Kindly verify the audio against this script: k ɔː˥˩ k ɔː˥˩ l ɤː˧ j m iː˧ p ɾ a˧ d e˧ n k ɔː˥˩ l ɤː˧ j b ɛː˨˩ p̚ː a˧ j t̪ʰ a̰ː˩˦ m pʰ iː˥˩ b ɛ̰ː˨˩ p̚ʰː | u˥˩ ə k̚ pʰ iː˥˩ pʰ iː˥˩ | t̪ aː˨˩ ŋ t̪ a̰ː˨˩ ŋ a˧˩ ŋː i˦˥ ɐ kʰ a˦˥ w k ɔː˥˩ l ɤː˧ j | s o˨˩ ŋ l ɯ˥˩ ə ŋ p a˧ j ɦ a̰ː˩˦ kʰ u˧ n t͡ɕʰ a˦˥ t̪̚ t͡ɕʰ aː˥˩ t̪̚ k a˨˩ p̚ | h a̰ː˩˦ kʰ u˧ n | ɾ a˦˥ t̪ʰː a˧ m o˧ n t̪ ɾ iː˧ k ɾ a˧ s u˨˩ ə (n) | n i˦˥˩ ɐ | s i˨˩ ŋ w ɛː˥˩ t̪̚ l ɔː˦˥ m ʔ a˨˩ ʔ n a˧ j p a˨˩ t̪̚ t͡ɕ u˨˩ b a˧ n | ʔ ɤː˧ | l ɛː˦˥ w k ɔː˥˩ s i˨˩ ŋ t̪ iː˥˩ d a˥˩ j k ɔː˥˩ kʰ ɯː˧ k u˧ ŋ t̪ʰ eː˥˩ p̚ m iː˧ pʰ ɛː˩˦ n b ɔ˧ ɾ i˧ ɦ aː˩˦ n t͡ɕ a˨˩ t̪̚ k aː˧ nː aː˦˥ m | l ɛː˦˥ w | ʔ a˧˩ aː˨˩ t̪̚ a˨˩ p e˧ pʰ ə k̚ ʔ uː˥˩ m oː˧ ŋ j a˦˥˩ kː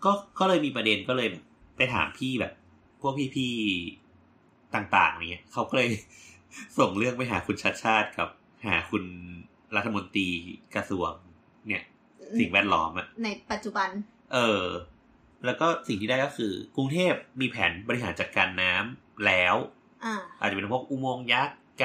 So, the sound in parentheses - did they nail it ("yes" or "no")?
no